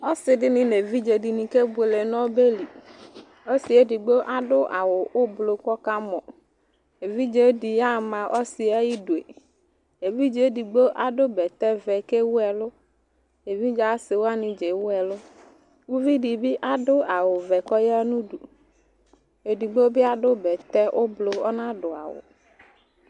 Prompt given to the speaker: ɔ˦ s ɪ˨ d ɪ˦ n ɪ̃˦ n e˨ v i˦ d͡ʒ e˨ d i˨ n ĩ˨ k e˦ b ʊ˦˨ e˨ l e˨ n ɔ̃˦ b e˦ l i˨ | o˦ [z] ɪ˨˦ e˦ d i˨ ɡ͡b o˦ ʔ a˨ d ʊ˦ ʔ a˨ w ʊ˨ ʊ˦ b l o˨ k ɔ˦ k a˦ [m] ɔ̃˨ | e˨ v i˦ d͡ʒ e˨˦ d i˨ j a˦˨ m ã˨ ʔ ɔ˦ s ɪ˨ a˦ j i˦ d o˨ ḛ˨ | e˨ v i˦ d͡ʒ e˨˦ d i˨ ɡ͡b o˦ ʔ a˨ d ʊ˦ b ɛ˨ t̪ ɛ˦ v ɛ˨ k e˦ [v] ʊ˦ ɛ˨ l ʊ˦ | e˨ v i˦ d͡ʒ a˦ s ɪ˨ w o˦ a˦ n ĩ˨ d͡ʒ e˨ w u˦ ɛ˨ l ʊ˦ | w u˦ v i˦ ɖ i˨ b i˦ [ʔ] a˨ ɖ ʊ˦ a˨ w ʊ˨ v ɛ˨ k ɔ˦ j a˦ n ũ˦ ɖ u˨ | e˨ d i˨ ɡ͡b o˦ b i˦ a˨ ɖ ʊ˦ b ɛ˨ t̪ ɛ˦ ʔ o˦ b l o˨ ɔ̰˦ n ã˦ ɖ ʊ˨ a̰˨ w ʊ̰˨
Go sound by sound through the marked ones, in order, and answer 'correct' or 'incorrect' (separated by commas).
incorrect, correct, incorrect, correct